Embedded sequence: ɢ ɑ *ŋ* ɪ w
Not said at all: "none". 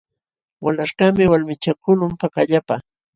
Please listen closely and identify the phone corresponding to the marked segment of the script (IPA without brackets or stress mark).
m